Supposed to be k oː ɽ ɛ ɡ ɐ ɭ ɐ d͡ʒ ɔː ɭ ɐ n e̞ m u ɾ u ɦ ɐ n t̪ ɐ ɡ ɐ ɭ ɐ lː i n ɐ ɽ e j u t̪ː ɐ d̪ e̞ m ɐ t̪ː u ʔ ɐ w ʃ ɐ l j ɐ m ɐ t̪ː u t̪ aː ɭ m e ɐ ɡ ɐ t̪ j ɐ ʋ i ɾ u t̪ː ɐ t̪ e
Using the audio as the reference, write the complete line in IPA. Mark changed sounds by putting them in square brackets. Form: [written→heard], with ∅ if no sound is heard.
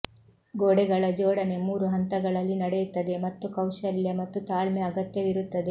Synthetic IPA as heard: [k→ɡ] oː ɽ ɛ ɡ ɐ ɭ ɐ d͡ʒ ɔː [ɭ→ɽ] ɐ n e̞ m [u→uː] ɾ u ɦ ɐ n t̪ ɐ ɡ ɐ ɭ ɐ lː i n ɐ ɽ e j u t̪ː ɐ d̪ e̞ m ɐ t̪ː u [ʔ→k] ɐ w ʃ ɐ l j ɐ m ɐ t̪ː u t̪ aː ɭ m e ɐ ɡ ɐ t̪ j ɐ ʋ i ɾ u t̪ː ɐ [t̪→d̪] e